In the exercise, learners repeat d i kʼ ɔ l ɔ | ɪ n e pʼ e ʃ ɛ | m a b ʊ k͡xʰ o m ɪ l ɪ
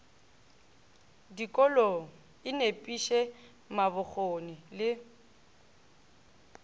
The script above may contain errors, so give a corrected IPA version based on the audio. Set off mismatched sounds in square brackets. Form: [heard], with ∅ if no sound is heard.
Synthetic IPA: d i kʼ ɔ l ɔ | ɪ n e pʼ [i] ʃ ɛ | m a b ʊ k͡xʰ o [n] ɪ l ɪ